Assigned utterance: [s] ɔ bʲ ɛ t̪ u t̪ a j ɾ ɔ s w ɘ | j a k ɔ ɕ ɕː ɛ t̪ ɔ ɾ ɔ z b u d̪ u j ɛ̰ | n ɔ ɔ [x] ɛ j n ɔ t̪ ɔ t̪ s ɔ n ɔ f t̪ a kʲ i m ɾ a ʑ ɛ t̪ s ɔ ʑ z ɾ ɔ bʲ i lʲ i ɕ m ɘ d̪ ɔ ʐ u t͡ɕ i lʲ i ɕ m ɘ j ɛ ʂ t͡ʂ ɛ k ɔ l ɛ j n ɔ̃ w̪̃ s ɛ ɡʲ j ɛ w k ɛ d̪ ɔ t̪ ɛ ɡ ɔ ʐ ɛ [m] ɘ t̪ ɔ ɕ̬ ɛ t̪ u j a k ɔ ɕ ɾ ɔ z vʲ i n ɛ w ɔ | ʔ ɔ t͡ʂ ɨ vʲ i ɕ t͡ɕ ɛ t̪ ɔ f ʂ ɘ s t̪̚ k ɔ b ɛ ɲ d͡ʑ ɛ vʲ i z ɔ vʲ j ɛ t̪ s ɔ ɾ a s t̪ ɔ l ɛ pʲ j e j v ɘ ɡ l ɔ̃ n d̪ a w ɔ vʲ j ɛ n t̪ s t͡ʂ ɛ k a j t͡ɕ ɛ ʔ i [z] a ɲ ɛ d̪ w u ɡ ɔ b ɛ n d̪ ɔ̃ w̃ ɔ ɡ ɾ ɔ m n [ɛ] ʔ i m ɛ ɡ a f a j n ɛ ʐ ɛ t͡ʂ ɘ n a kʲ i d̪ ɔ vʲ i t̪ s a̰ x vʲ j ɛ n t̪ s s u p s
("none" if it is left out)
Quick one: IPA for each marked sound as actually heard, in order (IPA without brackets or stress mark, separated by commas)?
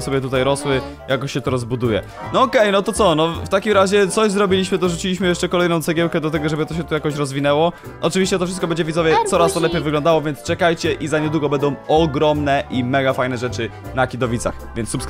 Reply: s, k, b, z, ɛ